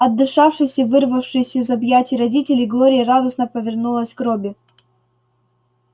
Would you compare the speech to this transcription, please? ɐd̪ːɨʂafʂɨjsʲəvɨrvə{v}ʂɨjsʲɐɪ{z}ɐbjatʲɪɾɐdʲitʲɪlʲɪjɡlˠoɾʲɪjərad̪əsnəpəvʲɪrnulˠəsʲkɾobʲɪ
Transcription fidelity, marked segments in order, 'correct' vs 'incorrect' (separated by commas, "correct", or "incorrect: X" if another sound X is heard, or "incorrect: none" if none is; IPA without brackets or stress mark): incorrect: f, correct